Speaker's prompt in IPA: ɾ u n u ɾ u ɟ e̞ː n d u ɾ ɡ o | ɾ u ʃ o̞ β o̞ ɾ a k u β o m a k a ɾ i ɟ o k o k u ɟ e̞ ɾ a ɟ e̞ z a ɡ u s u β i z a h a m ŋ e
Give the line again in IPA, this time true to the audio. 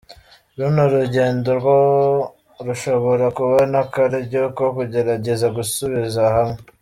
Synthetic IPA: ɾ u n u ɾ u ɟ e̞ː n d o ɾ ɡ o | ɾ u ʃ o̞ β o̞ ɾ a k u β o n a k a ɾ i ɟ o k o k u ɟ e̞ ɾ a ɟ e̞ z a ɡ u s u β i z a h a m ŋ e

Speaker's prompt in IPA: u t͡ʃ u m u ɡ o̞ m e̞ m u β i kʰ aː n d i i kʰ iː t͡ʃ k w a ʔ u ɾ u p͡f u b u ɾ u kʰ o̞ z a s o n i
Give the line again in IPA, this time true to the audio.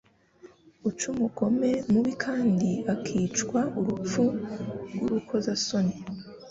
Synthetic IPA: u t͡ʃ u m u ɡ o̞ m e̞ m u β i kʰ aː n d i a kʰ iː t͡ʃ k w a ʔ u ɾ u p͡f u ɡ u ɾ u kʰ o̞ z a s o n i

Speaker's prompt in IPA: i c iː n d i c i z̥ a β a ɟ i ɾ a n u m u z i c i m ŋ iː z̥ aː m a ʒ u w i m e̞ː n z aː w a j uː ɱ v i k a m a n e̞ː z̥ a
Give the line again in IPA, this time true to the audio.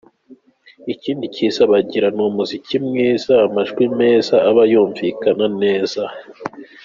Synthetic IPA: i c iː n d i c i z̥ a β a ɟ i ɾ a n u m u z i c i m ŋ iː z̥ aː m a ʒ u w i m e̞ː z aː β a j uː ɱ v i k a n a n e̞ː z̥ a

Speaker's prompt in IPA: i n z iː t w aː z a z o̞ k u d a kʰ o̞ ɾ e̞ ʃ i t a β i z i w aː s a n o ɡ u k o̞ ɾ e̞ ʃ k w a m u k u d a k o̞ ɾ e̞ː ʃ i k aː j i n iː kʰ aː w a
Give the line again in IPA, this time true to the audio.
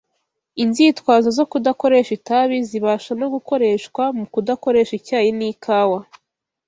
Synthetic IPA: i n z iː t w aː z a z o̞ k u d a k o̞ ɾ e̞ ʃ i t a β i z i β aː ʃ a n o ɡ u k o̞ ɾ e̞ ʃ k w a m u k u d a k o̞ ɾ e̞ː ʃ i c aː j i n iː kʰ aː w a

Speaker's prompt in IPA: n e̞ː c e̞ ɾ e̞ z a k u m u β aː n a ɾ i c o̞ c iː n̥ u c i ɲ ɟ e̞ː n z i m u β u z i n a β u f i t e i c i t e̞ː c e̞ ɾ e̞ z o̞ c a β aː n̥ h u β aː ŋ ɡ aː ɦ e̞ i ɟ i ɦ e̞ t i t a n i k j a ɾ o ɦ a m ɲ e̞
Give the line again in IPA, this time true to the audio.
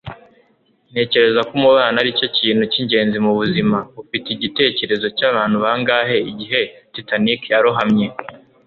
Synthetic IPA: n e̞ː c e̞ ɾ e̞ z a k u m u β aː n a ɾ i c o̞ c iː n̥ u c i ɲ ɟ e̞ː n z i m u β u z i m a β u f i t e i ɟ i t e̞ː c e̞ ɾ e̞ z o̞ c a β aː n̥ h u β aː ŋ ɡ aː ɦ e̞ i ɟ i ɦ e̞ t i t a n i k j a ɾ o ɦ a m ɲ e̞

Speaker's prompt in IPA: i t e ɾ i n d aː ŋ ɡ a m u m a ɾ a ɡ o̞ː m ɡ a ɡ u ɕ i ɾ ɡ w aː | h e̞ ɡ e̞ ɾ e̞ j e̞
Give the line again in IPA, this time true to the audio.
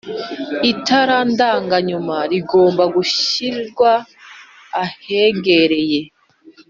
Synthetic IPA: i t a ɾ a n d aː ŋ ɡ a ɲ u m a ɾ i ɡ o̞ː m b a ɡ u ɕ i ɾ ɡ w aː | h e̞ ɡ e̞ ɾ e̞ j e̞

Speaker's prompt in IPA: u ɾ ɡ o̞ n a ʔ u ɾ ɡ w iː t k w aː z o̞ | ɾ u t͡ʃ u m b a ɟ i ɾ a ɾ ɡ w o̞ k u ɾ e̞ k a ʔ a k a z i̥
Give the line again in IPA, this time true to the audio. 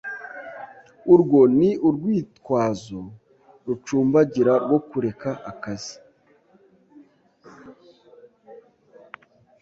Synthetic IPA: u ɾ ɡ o̞ n i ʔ u ɾ ɡ w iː t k w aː z o̞ | ɾ u t͡ʃ uː m b a ɟ i ɾ a ɾ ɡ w o̞ k u ɾ e̞ k a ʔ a k a z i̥

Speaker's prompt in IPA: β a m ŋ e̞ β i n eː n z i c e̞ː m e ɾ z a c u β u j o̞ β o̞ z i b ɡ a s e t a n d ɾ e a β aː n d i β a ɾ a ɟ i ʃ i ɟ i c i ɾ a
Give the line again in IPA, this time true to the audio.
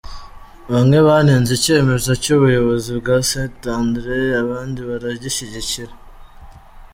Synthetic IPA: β a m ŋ e̞ β a n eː n z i c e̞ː m e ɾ z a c u β u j o̞ β o̞ z i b ɡ a s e t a n d ɾ e a β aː n d i β a ɾ a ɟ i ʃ i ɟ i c i ɾ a

